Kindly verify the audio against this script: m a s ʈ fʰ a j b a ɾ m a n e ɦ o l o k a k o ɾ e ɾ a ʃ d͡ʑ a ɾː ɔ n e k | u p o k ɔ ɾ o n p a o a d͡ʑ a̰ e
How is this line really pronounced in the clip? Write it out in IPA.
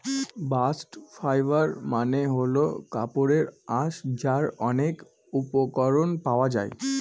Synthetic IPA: b a s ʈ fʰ a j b a ɾ m a n e ɦ o l o k a p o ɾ e ɾ a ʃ d͡ʑ a ɾ ɔ n e k | u p o k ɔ ɾ o n p a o a d͡ʑ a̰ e